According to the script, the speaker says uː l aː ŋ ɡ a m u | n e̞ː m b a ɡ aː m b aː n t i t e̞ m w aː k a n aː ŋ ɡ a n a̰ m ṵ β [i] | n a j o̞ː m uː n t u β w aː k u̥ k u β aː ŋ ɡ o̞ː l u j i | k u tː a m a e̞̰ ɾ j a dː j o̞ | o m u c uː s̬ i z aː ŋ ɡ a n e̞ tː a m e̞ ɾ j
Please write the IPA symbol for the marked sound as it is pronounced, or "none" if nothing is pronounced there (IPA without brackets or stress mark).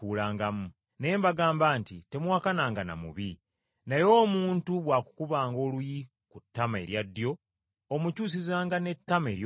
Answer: i